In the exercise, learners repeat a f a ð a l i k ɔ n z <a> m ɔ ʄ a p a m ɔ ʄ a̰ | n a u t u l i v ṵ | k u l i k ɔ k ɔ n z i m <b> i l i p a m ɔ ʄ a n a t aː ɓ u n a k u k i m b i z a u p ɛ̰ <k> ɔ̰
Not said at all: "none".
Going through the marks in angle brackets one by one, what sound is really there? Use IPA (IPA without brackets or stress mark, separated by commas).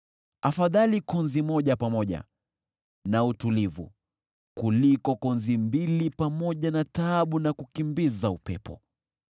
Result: i, b, p